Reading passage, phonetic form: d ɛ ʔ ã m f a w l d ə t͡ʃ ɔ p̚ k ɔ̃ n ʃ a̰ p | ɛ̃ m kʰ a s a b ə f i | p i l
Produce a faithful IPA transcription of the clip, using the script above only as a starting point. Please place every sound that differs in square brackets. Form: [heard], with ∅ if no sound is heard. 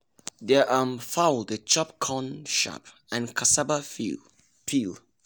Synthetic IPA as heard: d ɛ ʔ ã m f a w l d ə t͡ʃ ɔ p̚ [kʰ] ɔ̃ n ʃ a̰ p | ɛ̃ [n] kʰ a s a b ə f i | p i l